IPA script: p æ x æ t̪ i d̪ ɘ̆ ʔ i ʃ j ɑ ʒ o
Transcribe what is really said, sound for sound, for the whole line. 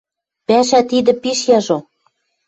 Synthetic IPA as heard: p æ ʃ æ t̪ i d̪ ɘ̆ p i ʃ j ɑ ʒ o

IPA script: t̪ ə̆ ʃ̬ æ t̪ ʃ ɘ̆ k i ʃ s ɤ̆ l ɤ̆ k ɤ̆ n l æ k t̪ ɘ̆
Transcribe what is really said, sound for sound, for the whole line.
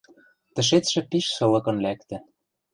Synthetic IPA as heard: t̪ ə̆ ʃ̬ e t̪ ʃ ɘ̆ p i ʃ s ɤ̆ l ɤ̆ k ɤ̆ n l æ k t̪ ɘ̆

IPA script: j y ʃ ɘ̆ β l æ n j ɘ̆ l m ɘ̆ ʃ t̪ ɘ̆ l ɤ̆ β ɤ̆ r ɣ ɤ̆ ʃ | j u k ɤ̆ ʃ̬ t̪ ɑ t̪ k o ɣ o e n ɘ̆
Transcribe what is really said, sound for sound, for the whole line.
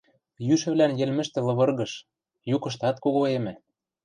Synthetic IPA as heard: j y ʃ ɘ̆ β l æ n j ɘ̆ l m ɘ̆ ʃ t̪ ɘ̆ l ɤ̆ β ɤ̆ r ɣ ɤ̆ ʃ | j u k ɤ̆ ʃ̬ t̪ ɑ t̪ k o ɣ o e m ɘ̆

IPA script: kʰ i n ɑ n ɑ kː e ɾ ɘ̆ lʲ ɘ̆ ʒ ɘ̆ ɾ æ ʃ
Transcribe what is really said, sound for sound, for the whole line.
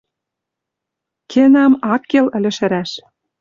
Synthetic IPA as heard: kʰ e n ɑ m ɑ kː e l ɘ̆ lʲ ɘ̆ ʃ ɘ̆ ɾ æ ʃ

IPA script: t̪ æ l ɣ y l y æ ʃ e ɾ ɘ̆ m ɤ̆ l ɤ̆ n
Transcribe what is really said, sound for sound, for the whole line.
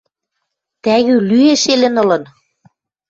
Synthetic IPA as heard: t̪ æ ɣ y l y e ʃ e l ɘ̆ n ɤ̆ l ɤ̆ n

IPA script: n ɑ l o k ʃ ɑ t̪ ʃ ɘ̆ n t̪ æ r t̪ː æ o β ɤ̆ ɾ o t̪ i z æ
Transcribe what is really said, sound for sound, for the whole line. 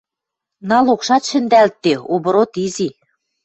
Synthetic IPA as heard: n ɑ l o k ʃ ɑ t̪ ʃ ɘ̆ n d̪ æ l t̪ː e o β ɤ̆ ɾ o t̪ i z i

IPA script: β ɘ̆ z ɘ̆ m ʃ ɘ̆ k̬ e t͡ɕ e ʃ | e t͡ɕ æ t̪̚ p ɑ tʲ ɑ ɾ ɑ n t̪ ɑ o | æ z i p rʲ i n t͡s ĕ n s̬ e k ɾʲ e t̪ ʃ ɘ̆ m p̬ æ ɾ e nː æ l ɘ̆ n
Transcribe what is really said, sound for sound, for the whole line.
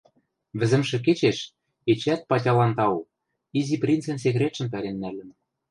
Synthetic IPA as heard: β ɘ̆ z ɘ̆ m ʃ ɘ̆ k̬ e t͡ɕ e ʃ | e t͡ɕ æ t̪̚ p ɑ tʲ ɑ l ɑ n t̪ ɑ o | i z i p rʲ i n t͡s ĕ n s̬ e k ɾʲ e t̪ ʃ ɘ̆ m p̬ æ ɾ e nː æ l ɘ̆ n

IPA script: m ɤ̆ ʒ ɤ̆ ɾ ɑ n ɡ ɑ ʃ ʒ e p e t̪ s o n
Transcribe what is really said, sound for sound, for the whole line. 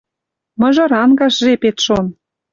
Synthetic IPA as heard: m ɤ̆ ʒ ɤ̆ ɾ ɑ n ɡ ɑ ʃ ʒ e p e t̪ ʃ o n

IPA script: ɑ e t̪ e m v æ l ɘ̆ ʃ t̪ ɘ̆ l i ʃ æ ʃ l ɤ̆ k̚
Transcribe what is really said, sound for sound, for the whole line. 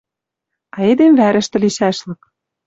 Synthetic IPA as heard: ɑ e d̪ e m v æ ɾ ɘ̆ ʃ t̪ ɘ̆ l i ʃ æ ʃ l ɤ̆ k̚

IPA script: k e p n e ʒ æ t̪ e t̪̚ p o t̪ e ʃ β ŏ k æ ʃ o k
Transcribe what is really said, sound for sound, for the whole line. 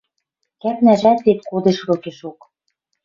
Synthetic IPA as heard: k æ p n æ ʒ æ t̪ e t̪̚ k o d̪ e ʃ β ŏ k e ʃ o k

